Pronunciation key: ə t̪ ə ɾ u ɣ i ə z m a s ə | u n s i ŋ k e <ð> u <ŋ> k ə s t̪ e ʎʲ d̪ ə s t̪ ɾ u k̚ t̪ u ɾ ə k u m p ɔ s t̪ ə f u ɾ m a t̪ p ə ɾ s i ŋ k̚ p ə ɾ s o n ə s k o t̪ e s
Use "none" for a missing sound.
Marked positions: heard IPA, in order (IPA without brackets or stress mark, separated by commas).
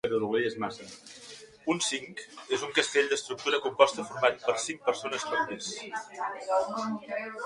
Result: z, ŋ